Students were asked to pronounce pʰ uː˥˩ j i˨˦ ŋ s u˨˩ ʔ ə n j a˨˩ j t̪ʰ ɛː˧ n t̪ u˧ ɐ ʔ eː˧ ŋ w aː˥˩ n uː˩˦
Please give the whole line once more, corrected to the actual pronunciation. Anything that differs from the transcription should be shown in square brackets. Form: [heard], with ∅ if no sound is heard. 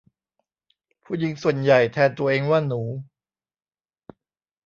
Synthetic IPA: pʰ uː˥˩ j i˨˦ ŋ s u˨˩ [∅] ə n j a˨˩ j t̪ʰ ɛː˧ n t̪ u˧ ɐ ʔ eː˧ ŋ w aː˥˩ n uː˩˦

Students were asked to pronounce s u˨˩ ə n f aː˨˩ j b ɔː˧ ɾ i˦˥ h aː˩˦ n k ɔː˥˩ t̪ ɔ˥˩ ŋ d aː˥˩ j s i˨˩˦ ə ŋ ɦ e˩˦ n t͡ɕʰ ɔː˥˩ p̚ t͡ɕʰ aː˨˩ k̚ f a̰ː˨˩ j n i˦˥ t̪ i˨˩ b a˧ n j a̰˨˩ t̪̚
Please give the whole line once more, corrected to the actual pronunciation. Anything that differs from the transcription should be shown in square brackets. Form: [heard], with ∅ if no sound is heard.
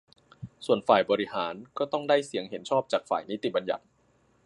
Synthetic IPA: s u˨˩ ə n f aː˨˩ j b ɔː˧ ɾ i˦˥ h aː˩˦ n k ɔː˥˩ t̪ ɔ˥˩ ŋ d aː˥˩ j s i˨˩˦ ə ŋ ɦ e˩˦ n t͡ɕʰ ɔː˥˩ p̚ [t͡ɕ] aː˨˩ k̚ f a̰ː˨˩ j n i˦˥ t̪ i˨˩ b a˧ n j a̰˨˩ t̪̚

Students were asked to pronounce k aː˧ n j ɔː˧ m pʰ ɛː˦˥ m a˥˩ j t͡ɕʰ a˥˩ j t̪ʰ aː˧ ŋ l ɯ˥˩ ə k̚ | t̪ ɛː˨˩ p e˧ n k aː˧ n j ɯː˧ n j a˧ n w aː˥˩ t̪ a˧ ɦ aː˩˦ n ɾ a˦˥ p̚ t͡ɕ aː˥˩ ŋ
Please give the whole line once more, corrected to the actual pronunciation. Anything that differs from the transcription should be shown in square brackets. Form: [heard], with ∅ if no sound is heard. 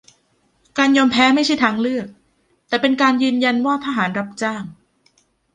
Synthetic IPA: k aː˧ n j ɔː˧ m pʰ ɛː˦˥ m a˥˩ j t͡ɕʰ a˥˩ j t̪ʰ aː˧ ŋ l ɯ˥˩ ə k̚ | t̪ ɛː˨˩ p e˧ n k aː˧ n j ɯː˧ n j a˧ n w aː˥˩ [t̪ʰ] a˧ ɦ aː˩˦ n ɾ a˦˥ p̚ t͡ɕ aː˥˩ ŋ

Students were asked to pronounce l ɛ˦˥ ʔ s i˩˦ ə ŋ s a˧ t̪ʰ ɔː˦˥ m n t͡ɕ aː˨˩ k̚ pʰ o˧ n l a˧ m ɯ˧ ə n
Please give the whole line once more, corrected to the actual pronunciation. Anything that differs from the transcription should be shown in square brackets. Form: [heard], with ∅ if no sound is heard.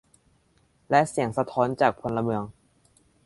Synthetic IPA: l ɛ˦˥ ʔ s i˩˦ ə ŋ s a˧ t̪ʰ ɔː˦˥ [∅] n t͡ɕ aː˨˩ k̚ pʰ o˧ n l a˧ m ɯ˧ ə [ŋ]

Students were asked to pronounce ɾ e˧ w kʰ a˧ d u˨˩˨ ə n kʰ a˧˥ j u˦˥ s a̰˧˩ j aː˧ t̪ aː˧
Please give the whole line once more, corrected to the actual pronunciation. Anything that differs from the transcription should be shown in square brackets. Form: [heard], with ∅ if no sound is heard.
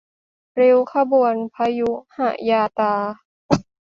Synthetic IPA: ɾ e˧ w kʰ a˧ [b] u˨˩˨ ə n [pʰ] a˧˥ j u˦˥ [h] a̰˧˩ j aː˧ t̪ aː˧

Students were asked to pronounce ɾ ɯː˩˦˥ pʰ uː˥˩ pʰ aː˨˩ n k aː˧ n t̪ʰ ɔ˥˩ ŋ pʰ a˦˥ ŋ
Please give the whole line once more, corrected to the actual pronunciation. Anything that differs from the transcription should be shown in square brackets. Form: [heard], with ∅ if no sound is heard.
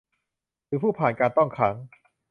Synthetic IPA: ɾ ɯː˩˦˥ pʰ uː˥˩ pʰ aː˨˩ n k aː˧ n [t̪] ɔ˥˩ ŋ [kʰ] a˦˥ ŋ

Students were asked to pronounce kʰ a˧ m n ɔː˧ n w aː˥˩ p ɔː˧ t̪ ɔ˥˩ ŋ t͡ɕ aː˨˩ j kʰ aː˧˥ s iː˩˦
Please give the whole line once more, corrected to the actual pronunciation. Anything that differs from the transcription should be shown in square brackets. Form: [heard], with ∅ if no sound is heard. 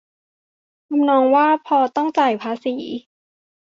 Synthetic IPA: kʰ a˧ m n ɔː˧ [ŋ] w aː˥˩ [pʰ] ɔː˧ t̪ ɔ˥˩ ŋ t͡ɕ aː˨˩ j [pʰ] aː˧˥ s iː˩˦

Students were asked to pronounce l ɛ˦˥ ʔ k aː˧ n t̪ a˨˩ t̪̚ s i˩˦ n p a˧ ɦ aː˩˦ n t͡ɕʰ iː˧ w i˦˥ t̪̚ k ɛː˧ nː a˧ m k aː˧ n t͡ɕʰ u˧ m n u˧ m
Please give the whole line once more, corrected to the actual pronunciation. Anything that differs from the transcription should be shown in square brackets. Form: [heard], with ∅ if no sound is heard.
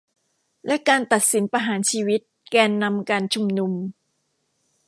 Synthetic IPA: l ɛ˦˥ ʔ k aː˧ n t̪ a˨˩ t̪̚ s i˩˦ n p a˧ ɦ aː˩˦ n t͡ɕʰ iː˧ w i˦˥ t̪̚ k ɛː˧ nː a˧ m k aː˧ n t͡ɕʰ u˧ m n u˧ m

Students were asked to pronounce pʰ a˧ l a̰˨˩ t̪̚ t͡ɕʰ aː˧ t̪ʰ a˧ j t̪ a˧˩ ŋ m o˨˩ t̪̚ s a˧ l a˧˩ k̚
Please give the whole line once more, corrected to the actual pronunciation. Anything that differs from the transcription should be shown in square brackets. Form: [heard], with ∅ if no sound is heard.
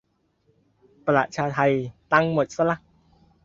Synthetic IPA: [p] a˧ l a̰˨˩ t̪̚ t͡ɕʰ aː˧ t̪ʰ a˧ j t̪ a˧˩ ŋ m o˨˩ t̪̚ s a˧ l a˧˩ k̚

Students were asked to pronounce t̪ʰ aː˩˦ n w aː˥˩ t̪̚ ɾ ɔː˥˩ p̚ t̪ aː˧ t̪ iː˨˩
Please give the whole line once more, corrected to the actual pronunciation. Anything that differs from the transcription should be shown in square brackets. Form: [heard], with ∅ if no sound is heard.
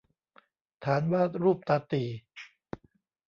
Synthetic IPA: t̪ʰ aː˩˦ n w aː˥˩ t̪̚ ɾ [uː˥˩] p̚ t̪ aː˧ t̪ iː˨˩

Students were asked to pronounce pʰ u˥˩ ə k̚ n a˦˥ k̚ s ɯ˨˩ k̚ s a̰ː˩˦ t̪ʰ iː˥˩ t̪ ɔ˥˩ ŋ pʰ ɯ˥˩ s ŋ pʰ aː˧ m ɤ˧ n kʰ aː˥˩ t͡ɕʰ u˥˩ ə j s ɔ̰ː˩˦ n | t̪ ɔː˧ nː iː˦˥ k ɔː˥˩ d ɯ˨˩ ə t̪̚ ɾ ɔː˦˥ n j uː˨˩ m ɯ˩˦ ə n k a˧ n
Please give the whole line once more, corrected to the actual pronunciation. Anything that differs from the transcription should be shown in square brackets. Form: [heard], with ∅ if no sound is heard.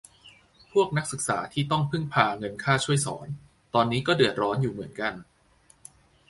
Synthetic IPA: pʰ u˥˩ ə k̚ n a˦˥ k̚ s ɯ˨˩ k̚ s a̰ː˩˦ t̪ʰ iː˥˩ t̪ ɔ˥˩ ŋ pʰ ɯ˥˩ [∅] ŋ pʰ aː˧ [ŋ] ɤ˧ n kʰ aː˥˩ t͡ɕʰ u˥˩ ə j s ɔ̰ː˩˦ n | t̪ ɔː˧ nː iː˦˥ k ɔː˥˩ d ɯ˨˩ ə t̪̚ ɾ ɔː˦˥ n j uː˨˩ m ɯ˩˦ ə n k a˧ n

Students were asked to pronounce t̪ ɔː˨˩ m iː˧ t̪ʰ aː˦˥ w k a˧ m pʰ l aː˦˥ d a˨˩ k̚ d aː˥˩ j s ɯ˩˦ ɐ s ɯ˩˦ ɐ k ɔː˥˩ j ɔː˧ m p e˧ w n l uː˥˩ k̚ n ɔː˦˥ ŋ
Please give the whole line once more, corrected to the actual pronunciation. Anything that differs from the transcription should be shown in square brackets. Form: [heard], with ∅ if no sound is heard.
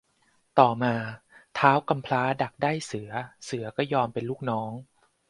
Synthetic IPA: t̪ ɔː˨˩ m [aː˧] t̪ʰ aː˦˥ w k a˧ m pʰ l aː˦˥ d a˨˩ k̚ d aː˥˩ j s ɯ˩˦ ɐ s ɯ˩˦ ɐ k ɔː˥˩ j ɔː˧ m p e˧ [∅] n l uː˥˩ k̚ n ɔː˦˥ ŋ

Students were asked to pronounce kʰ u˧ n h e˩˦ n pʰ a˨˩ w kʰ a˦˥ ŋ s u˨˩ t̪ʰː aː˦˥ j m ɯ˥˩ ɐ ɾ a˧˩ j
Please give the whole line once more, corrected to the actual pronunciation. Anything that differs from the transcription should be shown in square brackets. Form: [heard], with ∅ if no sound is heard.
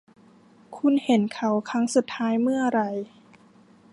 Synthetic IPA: kʰ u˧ n h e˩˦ n [kʰ] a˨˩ w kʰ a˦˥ ŋ s u˨˩ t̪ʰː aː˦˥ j m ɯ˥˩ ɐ ɾ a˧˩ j

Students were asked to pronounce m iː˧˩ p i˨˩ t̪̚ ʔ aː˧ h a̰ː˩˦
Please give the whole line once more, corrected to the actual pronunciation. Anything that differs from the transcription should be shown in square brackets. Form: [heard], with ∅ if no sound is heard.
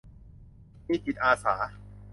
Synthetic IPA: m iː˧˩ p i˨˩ t̪̚ ʔ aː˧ [s] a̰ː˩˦

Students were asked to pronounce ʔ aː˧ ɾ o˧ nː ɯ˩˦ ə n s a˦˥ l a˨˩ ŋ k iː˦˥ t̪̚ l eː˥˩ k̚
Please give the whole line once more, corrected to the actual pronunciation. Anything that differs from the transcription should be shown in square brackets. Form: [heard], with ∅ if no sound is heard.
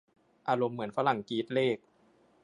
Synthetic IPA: ʔ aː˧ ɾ o˧ [mː] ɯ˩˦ ə n [f] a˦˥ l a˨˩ ŋ k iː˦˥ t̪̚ l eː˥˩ k̚

